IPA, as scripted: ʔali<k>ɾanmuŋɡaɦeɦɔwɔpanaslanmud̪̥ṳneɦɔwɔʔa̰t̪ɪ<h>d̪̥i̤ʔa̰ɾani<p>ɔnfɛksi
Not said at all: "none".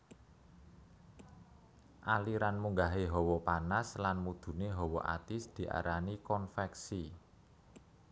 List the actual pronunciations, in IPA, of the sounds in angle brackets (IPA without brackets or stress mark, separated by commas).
none, s, k